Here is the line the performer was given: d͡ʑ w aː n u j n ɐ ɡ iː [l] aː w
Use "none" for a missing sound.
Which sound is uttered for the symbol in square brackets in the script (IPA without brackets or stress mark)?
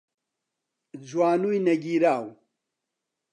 ɾ